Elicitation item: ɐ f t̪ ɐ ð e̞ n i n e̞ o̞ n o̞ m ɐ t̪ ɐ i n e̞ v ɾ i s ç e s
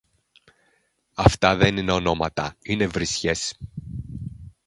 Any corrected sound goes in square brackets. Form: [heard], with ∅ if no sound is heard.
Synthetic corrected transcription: ɐ f t̪ ɐ ð e̞ n i n e̞ o̞ n o̞ m ɐ t̪ ɐ i n e̞ v ɾ i s ç e s